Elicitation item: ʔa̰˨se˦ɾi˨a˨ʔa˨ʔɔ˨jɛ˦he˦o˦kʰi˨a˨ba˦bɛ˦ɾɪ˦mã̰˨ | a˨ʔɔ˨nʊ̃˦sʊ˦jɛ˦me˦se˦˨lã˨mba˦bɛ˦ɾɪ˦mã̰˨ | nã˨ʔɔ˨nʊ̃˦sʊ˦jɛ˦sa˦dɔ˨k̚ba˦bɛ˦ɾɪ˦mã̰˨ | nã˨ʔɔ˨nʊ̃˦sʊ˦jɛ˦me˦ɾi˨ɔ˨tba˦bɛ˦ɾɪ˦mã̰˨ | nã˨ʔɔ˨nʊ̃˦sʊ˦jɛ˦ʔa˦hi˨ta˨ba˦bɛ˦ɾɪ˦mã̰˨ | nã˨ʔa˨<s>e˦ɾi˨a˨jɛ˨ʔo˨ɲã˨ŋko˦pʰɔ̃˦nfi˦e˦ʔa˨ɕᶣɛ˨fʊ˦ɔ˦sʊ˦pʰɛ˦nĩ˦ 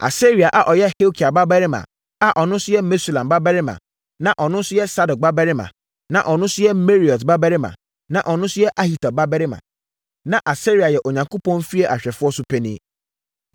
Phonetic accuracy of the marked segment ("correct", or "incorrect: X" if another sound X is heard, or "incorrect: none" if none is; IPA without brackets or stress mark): correct